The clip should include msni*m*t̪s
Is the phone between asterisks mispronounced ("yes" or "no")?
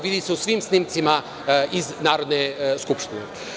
no